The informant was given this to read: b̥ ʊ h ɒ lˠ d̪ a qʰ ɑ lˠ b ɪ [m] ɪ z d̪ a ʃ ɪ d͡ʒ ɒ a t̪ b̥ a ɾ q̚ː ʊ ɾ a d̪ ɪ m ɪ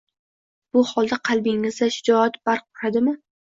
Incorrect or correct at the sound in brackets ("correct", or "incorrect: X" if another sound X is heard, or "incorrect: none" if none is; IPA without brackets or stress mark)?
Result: incorrect: ŋ